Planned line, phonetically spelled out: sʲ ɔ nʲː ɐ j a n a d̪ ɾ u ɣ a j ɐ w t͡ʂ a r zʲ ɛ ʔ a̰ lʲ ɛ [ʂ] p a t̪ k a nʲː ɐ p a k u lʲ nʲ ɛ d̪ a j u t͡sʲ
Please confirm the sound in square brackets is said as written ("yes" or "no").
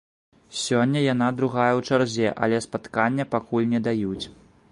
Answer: no